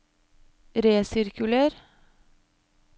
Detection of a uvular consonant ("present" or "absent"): absent